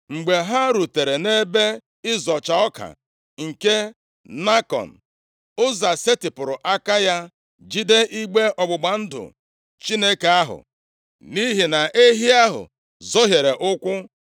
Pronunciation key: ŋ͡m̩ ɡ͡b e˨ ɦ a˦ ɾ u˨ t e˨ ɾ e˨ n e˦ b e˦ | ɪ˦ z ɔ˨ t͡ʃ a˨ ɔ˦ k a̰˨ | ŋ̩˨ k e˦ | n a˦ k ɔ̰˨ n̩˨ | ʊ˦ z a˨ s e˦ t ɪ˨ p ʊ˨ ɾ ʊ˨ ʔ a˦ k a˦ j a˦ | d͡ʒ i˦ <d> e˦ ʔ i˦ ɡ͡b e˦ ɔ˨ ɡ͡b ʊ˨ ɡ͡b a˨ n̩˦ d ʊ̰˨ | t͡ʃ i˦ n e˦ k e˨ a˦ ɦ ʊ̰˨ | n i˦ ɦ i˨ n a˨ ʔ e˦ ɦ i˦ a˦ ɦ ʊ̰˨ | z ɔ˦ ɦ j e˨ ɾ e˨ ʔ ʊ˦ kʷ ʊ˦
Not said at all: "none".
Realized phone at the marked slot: d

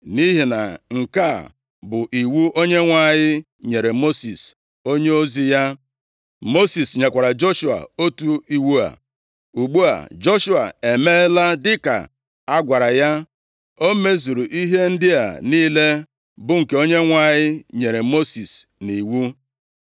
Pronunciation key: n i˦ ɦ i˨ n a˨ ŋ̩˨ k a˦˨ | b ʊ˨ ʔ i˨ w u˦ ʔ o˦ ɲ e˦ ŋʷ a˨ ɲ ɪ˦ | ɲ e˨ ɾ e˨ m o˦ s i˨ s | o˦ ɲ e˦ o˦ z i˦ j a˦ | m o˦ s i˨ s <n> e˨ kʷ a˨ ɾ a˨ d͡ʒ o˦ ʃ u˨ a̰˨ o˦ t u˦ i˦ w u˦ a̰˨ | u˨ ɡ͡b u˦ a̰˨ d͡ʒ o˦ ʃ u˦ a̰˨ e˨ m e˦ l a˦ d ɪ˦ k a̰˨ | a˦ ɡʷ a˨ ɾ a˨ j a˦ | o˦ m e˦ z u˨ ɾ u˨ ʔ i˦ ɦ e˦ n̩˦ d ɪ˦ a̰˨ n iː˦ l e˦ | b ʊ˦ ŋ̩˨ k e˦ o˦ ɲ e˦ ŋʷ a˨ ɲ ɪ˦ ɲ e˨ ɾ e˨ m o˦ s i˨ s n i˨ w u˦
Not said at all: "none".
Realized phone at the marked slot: ɲ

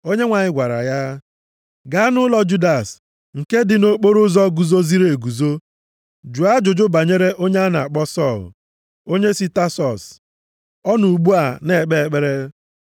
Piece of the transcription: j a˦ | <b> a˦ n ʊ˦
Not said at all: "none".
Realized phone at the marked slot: ɡ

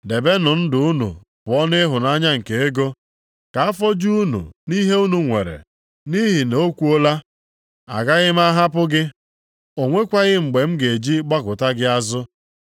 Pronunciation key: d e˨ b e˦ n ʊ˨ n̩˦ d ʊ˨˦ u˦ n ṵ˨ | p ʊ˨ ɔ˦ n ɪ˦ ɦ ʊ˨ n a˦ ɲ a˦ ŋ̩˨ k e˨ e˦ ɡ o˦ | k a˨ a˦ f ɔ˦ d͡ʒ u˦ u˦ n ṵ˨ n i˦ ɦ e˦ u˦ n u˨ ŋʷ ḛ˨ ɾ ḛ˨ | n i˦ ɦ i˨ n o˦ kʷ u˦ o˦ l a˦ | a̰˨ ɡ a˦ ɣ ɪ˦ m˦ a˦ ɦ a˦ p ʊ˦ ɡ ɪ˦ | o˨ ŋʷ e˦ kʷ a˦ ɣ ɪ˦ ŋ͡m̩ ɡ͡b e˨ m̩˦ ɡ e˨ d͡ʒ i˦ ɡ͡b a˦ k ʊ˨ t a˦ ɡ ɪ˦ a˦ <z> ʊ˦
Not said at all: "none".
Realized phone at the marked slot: z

